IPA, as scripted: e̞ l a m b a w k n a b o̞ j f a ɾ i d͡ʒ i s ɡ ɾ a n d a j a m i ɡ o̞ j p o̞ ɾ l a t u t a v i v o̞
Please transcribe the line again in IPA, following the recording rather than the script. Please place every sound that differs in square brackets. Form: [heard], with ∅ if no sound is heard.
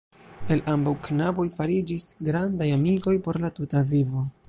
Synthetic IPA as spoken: e̞ l a m b a w k n a b o̞ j f a ɾ i d͡ʒ i s ɡ ɾ a n d a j a m i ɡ o̞ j p o̞ ɾ l a t u t a v i v o̞